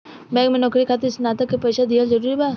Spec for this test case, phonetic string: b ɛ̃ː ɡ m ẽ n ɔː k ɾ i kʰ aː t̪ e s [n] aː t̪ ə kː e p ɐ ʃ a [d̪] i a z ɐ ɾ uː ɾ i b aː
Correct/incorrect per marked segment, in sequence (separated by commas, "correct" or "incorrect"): correct, correct